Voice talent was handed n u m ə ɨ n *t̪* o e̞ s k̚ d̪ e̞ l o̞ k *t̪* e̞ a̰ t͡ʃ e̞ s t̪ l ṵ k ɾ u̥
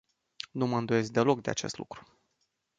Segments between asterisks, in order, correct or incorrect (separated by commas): incorrect, incorrect